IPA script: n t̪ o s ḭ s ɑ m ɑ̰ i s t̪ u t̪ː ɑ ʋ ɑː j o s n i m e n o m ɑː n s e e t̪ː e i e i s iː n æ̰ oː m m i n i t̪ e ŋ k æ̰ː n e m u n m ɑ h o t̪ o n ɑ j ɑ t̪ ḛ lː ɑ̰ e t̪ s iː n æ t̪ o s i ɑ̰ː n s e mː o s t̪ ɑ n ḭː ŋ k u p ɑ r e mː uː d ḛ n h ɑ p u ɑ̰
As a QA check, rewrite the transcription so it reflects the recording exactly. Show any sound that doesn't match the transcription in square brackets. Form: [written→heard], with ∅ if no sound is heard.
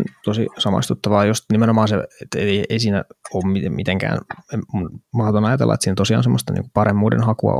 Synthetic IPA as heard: n t̪ o s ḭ s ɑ m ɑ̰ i s t̪ u t̪ː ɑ ʋ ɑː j o s n i m e n o m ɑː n s e e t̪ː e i e i s iː n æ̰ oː m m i [n→m] i t̪ e ŋ k æ̰ː n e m u n m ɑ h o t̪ o n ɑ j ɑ t̪ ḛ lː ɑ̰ e t̪ s iː n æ t̪ o s i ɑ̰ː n s e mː o s t̪ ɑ n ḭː ŋ k u p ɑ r e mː uː d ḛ n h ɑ [p→k] u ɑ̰